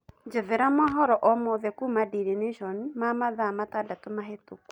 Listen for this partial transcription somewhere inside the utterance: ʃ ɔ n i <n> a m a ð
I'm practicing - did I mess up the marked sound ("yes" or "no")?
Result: yes